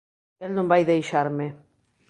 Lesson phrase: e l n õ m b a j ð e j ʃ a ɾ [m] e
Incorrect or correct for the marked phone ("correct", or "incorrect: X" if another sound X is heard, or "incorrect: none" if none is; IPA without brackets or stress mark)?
correct